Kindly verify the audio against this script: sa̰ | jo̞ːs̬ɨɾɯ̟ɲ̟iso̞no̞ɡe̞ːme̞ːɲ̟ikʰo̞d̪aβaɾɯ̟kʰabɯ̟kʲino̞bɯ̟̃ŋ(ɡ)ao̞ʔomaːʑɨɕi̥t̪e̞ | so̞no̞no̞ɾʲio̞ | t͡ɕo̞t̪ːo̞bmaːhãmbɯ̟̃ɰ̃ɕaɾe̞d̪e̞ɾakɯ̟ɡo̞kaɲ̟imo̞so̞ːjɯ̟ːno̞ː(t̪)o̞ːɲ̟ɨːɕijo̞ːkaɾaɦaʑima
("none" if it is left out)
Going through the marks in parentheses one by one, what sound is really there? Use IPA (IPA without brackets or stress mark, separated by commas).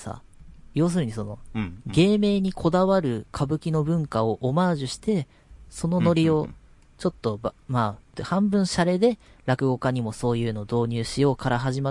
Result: k, d̪